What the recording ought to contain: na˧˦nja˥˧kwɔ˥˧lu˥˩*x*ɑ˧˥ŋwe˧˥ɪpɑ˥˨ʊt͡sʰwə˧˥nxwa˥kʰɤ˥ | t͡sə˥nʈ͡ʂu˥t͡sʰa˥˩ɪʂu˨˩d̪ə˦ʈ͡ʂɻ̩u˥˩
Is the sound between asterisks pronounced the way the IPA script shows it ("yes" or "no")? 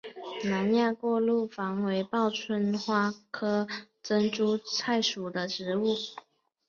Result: no